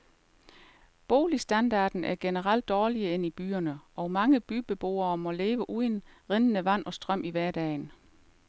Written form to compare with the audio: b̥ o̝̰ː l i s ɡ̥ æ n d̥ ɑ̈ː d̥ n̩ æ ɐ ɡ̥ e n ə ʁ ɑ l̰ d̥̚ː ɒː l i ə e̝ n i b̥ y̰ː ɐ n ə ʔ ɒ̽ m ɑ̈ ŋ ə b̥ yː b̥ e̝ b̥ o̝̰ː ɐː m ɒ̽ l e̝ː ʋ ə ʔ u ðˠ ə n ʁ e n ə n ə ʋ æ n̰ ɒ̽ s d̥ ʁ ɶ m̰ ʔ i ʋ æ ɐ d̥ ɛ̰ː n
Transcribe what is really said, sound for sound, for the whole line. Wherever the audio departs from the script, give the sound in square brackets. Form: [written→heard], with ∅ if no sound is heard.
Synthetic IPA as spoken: b̥ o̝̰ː l i s [ɡ̥→d̥] æ n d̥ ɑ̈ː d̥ n̩ æ ɐ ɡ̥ e n ə ʁ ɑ l̰ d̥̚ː ɒː l i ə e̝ n i b̥ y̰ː ɐ n ə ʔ ɒ̽ m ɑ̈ ŋ ə b̥ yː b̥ e̝ b̥ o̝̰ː ɐː m ɒ̽ l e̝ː ʋ ə ʔ u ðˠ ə n ʁ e n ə n ə ʋ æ n̰ ɒ̽ s d̥ ʁ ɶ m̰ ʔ i ʋ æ ɐ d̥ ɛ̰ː n